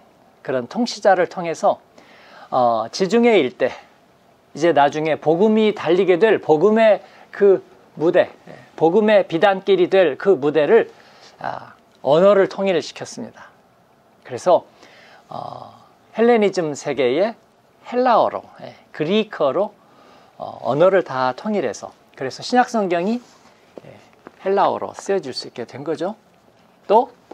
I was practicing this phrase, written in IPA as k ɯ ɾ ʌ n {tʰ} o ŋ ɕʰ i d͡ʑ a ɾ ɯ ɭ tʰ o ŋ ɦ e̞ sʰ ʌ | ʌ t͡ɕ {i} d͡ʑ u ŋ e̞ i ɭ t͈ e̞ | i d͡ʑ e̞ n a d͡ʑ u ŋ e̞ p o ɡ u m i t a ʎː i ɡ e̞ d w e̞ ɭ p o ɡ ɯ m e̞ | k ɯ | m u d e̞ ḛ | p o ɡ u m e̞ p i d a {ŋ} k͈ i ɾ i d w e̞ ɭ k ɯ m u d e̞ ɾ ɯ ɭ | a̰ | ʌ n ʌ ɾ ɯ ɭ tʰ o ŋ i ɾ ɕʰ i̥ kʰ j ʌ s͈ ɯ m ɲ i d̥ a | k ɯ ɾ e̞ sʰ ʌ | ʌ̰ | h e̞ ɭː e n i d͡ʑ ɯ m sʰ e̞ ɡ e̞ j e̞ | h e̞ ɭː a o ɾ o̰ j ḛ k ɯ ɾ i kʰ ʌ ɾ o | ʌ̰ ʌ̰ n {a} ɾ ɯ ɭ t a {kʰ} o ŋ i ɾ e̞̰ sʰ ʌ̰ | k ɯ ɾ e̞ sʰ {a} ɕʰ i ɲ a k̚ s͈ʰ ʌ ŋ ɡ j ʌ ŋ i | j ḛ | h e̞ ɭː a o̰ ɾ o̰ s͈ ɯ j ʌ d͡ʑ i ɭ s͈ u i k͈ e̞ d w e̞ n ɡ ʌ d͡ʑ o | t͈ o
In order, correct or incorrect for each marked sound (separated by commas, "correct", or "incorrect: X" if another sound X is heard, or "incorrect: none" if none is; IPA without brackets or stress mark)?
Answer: correct, correct, incorrect: n, incorrect: ʌ, incorrect: tʰ, incorrect: ʌ